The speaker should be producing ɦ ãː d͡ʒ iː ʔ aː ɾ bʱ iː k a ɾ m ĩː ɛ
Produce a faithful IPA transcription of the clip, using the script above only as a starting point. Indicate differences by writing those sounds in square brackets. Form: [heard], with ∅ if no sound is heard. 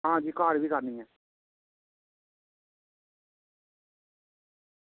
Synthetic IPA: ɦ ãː d͡ʒ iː [k] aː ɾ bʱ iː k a ɾ [n] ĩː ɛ